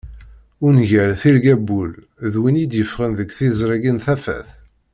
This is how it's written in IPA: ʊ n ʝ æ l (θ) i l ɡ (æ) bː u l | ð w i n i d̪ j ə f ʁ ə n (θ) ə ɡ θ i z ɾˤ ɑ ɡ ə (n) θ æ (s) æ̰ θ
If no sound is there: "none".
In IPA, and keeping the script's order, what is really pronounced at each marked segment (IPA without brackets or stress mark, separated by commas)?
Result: θ, æ, ð, n, f